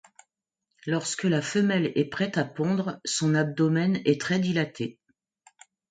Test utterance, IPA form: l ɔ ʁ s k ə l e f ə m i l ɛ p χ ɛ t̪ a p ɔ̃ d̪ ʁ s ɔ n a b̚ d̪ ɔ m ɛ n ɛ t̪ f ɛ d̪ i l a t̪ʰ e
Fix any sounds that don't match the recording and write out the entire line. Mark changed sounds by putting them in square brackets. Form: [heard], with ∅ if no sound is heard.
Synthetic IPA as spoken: l ɔ ʁ s k ə l [a] f ə m [ɛ] l ɛ p χ ɛ t̪ a p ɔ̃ d̪ ʁ s [ɔ̃] n a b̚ d̪ ɔ m ɛ n ɛ t̪ [χ] ɛ d̪ i l a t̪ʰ e

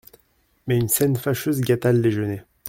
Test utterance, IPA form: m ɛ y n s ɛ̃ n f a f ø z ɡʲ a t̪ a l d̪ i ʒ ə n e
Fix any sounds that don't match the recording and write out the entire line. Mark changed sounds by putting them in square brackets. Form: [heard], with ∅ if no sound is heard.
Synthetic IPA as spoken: m ɛ y n s [ɛ] n f a [ʃ] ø z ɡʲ a t̪ a l d̪ [e] ʒ ə n e

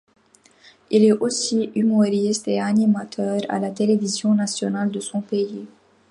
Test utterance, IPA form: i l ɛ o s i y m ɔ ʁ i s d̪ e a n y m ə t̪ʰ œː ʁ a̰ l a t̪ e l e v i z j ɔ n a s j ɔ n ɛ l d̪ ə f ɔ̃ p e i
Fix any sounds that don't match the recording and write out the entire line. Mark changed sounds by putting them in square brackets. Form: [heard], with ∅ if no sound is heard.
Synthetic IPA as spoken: i l ɛ o s i y m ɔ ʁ i s [t̪] e a n [i] m [a] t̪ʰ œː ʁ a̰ l a t̪ e l e v i z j [ɔ̃] n a s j ɔ n [a] l d̪ ə [s] ɔ̃ p e i

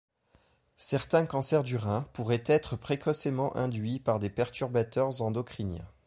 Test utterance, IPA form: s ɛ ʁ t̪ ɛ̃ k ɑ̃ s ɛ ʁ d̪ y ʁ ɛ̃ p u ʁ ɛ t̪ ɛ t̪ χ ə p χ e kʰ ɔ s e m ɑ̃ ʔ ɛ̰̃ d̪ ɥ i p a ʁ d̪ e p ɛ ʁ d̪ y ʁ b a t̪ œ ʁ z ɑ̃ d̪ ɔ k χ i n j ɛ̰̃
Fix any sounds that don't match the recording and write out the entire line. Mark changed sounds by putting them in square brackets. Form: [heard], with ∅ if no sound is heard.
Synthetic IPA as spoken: s ɛ ʁ t̪ ɛ̃ k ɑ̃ s ɛ ʁ d̪ y ʁ ɛ̃ p u ʁ ɛ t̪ ɛ t̪ χ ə p χ e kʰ ɔ s e m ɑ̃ ʔ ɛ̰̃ d̪ ɥ i p a ʁ d̪ e p ɛ ʁ [t̪] y ʁ b a t̪ œ ʁ z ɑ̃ d̪ ɔ k χ i n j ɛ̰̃

